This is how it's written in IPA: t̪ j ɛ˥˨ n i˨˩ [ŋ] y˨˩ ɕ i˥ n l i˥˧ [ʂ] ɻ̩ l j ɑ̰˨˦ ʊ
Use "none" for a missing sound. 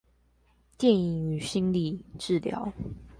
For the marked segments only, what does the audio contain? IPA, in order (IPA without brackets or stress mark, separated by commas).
ŋ, ʈ͡ʂ